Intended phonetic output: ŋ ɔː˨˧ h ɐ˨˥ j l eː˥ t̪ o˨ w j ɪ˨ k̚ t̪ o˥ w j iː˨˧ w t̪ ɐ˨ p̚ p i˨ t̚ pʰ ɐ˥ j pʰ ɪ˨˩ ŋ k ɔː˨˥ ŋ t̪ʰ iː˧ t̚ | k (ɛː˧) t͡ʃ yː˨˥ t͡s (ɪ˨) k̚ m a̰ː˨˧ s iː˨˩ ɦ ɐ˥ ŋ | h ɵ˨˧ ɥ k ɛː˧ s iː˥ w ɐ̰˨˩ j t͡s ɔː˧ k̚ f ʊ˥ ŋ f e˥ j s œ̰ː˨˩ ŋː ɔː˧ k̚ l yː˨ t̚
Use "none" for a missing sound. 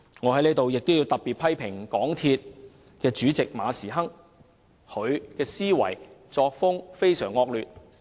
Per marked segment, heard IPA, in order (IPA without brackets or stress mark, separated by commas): ɛː˧, ɪ˨